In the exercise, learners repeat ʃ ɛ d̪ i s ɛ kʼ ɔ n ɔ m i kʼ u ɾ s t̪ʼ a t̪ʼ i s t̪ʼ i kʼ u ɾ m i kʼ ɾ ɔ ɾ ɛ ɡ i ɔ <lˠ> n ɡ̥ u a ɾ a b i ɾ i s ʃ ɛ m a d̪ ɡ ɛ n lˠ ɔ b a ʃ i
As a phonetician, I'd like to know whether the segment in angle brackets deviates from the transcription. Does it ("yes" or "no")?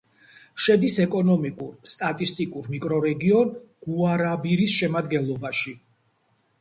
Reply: yes